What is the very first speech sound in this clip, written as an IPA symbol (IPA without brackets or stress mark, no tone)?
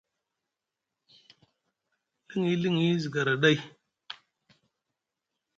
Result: l